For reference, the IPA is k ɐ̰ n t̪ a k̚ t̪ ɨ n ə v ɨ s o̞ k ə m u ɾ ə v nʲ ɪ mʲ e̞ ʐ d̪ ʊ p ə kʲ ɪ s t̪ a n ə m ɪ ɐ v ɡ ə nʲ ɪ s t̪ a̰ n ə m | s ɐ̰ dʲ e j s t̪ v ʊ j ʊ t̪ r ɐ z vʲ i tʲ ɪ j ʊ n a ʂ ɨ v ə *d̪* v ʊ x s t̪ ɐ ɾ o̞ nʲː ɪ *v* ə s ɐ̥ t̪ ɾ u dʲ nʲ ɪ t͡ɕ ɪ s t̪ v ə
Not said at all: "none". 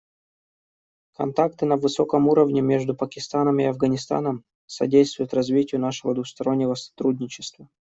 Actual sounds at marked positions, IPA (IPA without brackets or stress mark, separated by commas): d̪, v